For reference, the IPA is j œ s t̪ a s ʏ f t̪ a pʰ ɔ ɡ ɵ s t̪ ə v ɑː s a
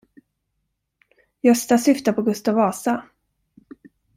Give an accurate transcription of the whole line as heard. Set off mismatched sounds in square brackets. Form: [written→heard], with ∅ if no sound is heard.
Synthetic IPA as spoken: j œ s t̪ a s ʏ f t̪ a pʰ ɔ ɡ ɵ s t̪ [ə→a] v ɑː s a

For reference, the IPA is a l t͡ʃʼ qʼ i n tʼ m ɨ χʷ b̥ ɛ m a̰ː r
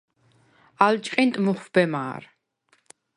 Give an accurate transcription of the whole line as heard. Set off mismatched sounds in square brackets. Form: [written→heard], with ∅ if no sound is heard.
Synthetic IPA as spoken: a l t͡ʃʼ qʼ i n tʼ m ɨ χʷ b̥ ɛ m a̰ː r

